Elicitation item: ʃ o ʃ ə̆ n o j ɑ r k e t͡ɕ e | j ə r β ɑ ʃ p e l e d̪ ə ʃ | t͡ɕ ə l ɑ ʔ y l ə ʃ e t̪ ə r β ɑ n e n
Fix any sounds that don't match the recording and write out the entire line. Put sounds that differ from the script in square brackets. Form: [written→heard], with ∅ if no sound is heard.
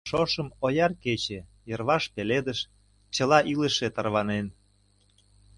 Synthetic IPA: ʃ o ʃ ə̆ [n→m] o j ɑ r k e t͡ɕ e | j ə r β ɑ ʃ p e l e d̪ ə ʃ | t͡ɕ ə l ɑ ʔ [y→i] l ə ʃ e t̪ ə r β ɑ n e n